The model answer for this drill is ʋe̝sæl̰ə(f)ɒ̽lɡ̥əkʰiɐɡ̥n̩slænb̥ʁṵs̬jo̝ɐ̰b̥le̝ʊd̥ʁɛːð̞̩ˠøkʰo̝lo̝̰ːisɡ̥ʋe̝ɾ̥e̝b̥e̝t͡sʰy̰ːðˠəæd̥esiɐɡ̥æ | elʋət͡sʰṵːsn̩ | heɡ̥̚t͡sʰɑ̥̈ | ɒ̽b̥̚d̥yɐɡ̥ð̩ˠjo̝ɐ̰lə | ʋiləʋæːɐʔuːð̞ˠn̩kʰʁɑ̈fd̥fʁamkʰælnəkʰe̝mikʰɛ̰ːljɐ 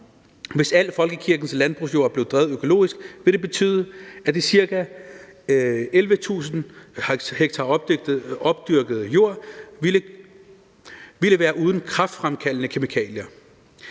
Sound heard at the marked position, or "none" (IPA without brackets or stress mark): f